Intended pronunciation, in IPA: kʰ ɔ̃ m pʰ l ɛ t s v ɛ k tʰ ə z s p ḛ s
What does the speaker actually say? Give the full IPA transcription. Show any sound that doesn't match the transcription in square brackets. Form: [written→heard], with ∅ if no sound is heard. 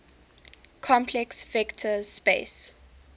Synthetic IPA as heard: kʰ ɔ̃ m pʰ l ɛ [t→k] s v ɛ k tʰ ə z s p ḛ s